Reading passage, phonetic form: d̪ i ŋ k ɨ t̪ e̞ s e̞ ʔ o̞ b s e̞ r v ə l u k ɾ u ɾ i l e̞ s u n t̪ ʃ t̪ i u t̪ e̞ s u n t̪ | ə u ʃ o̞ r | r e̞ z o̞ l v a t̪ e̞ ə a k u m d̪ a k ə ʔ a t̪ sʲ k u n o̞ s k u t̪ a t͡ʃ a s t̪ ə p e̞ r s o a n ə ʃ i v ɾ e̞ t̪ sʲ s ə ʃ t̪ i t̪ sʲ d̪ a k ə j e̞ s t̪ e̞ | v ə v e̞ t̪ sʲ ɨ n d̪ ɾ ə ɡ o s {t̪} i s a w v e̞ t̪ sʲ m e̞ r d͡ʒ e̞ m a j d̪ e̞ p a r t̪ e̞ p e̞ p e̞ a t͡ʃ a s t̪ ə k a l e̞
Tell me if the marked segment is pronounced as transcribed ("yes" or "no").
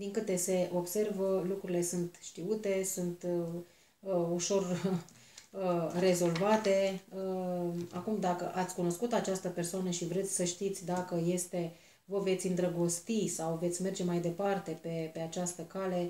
yes